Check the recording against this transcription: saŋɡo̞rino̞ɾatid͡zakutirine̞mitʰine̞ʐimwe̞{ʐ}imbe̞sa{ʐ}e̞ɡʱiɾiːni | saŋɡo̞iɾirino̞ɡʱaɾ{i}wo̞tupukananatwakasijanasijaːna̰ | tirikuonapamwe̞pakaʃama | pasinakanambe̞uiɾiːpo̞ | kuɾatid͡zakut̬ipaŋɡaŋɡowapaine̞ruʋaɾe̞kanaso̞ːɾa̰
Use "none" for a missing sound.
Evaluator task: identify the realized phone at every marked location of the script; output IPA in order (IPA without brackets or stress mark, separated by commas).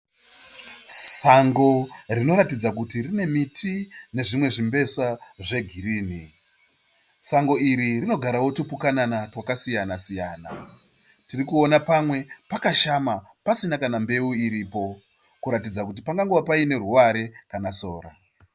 ʐ, ʐ, a